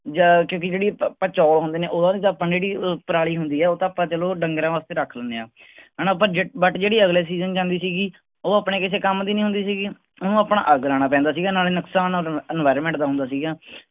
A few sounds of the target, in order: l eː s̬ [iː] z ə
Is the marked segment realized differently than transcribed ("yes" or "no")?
no